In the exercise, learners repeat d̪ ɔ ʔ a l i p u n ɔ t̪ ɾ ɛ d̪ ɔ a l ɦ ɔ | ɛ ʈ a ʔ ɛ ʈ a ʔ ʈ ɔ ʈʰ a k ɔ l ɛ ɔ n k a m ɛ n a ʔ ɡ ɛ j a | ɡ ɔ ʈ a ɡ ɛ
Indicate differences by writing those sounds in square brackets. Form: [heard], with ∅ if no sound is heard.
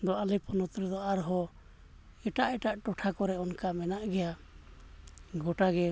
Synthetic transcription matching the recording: d̪ ɔ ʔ a l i p [ɔ] n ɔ t̪ ɾ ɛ d̪ ɔ a [ɾ] ɦ ɔ | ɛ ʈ a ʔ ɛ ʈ a ʔ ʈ ɔ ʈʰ a k ɔ [ɾ] ɛ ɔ n k a m ɛ n a ʔ ɡ ɛ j a | ɡ ɔ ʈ a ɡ ɛ